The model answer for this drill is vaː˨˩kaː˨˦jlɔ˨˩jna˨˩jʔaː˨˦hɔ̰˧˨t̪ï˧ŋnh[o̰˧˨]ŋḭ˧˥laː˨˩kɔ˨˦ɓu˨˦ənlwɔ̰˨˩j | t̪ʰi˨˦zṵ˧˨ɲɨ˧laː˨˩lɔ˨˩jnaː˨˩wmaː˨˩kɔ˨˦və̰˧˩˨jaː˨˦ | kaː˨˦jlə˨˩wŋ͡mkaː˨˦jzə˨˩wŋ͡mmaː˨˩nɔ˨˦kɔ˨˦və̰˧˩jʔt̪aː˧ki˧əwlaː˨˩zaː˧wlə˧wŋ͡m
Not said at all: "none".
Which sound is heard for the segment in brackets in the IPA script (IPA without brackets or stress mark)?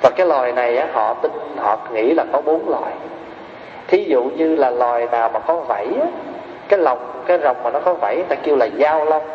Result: ɔ̰˧˨